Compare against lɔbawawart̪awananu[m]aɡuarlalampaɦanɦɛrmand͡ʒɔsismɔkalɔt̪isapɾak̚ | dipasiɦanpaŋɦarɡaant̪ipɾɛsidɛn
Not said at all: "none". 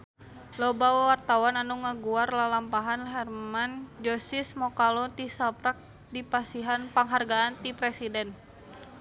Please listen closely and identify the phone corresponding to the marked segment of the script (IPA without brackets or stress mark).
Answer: ŋ